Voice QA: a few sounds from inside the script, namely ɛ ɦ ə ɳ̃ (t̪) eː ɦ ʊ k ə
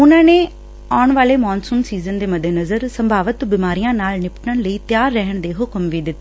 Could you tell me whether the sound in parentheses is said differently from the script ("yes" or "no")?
yes